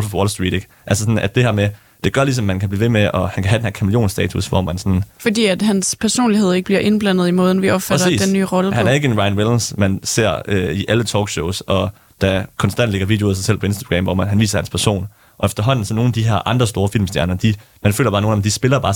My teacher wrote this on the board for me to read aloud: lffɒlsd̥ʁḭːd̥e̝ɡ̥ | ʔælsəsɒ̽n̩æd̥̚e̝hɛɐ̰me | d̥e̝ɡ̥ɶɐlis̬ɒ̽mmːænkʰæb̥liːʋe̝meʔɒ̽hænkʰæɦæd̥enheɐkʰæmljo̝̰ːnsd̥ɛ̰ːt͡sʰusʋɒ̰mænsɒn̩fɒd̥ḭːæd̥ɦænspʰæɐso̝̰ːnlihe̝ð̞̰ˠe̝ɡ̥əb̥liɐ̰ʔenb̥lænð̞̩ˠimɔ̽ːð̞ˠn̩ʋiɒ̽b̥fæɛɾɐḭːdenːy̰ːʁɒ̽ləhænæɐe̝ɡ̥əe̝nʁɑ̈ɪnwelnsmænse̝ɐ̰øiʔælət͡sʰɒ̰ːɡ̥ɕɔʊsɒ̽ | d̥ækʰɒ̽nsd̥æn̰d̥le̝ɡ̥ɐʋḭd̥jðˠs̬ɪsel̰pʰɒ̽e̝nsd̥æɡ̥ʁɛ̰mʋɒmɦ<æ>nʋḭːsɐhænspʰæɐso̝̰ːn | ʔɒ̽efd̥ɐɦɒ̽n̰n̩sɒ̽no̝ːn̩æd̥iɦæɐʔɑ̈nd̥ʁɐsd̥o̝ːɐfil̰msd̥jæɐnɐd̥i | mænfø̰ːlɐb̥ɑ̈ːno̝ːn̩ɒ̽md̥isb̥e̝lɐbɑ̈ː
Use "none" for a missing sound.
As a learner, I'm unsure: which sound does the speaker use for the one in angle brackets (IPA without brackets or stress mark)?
æ